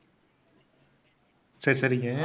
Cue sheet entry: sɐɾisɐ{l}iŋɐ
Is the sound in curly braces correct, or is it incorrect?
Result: incorrect